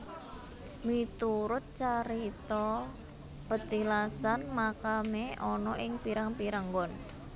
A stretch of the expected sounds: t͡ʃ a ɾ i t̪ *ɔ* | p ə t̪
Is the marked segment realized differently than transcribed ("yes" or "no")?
no